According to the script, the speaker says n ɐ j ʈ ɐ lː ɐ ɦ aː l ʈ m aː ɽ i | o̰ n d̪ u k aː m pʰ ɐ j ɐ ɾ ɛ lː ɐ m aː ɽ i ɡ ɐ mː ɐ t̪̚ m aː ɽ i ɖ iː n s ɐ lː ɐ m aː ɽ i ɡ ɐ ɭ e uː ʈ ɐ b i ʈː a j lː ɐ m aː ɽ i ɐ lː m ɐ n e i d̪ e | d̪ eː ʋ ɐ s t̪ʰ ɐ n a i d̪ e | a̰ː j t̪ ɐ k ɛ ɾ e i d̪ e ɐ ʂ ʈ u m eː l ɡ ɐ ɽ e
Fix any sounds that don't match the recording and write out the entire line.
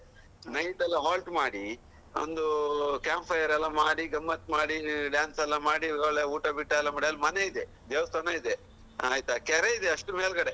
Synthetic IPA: n ɐ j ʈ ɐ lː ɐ ɦ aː l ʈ m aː ɽ i | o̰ n d̪ u k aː m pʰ ɐ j ɐ ɾ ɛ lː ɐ m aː ɽ i ɡ ɐ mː ɐ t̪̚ m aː ɽ i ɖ aː n s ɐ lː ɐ m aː ɽ i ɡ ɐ ɭ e uː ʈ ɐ b i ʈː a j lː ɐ m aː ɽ i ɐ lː m ɐ n e i d̪ e | d̪ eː ʋ ɐ s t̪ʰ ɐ n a i d̪ e | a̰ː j t̪ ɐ k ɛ ɾ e i d̪ e ɐ ʂ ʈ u m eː l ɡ ɐ ɽ e

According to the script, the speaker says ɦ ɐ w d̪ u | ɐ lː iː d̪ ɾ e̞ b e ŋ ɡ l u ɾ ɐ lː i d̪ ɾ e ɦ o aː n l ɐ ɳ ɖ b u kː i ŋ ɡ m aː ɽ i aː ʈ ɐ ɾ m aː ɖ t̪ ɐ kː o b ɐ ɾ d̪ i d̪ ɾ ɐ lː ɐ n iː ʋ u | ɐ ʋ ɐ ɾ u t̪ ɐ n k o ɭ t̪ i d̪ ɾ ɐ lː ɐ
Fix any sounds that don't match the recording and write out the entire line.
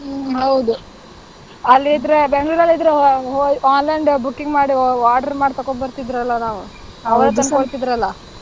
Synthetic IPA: ɦ ɐ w d̪ u | ɐ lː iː d̪ ɾ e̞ b e ŋ ɡ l u ɾ ɐ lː i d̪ ɾ e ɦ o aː n l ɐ ɳ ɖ b u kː i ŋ ɡ m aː ɽ i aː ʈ ɐ ɾ m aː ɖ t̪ ɐ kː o b ɐ ɾ t̪ i d̪ ɾ ɐ lː ɐ n aː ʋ u | ɐ ʋ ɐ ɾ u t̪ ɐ n k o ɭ t̪ i d̪ ɾ ɐ lː ɐ

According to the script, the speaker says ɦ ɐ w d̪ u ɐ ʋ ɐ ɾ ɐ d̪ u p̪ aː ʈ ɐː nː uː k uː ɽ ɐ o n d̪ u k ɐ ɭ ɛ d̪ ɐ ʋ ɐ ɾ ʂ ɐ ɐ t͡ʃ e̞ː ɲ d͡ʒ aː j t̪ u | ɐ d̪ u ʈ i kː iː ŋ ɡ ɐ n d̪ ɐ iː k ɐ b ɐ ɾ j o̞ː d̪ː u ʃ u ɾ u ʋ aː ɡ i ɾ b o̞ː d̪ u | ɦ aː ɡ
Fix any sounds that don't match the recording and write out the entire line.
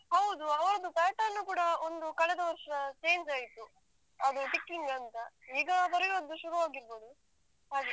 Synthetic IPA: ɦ ɐ w d̪ u ɐ ʋ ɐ ɾ ɐ d̪ u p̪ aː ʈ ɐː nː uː k uː ɽ ɐ o n d̪ u k ɐ ɭ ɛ d̪ ɐ ʋ ɐ ɾ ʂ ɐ ɐ t͡ʃ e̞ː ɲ d͡ʒ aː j t̪ u | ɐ d̪ u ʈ i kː i ŋ ɡ ɐ n t̪ ɐ iː ɡ ɐ b ɐ ɾ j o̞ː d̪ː u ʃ u ɾ u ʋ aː ɡ i ɾ b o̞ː d̪ u | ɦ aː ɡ

